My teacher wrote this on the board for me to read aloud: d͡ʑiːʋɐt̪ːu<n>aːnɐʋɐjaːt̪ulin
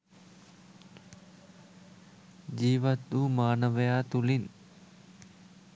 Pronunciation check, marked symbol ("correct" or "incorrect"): incorrect